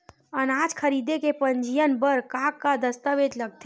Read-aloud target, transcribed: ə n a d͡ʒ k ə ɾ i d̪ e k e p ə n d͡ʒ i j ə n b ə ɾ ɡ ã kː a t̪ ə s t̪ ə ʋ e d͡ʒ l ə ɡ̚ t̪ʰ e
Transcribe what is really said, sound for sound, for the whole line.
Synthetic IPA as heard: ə n a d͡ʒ kʰ ə ɾ i d̪ e k e p ə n d͡ʒ i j ə n b ə ɾ k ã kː a d̪ ə s t̪ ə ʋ e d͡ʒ l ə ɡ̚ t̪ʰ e